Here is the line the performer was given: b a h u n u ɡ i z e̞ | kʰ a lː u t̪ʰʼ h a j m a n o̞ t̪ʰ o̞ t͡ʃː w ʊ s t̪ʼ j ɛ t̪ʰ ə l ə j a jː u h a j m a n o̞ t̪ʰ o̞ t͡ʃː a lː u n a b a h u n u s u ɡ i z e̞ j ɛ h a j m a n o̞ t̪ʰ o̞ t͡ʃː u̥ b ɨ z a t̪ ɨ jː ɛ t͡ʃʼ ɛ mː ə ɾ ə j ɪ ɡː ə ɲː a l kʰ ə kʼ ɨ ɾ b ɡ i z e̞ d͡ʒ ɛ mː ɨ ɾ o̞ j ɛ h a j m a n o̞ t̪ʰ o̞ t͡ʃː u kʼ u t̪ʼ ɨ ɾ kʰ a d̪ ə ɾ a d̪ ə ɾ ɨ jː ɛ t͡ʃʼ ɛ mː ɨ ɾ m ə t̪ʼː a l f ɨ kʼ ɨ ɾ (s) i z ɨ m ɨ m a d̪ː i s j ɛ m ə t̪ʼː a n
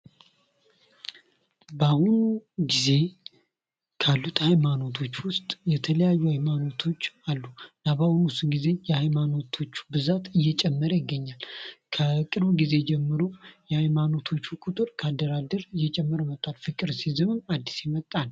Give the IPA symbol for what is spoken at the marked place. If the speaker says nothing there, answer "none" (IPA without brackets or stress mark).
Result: s